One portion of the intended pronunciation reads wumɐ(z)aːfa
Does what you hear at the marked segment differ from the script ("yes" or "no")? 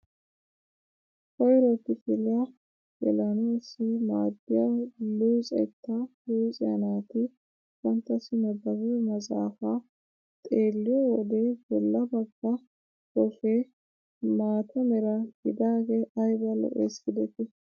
no